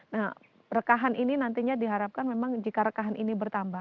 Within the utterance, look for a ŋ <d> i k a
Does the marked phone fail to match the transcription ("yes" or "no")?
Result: yes